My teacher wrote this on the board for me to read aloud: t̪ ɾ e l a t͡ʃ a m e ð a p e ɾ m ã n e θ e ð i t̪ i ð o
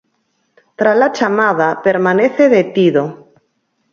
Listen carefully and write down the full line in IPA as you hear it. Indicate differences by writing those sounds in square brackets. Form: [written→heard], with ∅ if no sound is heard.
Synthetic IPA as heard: t̪ ɾ [e→a] l a t͡ʃ a m [e→a] ð a p e ɾ m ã n e θ e ð [i→e] t̪ i ð o